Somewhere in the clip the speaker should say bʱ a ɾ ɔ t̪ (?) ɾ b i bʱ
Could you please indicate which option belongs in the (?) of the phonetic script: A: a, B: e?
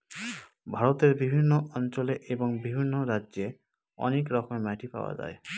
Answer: B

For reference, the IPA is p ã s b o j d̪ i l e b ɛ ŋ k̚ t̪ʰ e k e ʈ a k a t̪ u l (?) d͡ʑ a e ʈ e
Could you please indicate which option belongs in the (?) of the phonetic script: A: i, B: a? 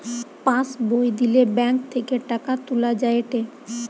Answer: B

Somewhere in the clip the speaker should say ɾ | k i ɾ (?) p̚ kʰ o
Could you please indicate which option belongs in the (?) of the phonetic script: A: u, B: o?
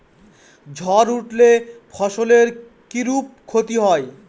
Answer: A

